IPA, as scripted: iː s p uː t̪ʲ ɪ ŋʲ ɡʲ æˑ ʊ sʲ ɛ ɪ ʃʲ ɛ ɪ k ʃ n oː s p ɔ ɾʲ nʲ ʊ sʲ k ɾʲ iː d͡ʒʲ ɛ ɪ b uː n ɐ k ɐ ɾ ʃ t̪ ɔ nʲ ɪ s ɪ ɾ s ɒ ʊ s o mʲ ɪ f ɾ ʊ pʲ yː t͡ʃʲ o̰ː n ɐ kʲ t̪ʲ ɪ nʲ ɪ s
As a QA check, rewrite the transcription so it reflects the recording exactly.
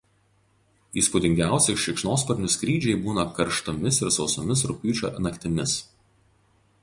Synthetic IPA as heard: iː s p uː d̪ʲ ɪ ŋʲ ɡʲ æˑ ʊ sʲ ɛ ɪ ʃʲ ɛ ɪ k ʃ n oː s p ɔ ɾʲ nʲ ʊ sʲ k ɾʲ iː d͡ʒʲ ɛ ɪ b uː n ɐ k ɐ ɾ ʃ t̪ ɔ mʲ ɪ s ɪ ɾ s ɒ ʊ s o mʲ ɪ s ɾ ʊ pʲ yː t͡ʃʲ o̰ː n ɐ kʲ t̪ʲ ɪ mʲ ɪ s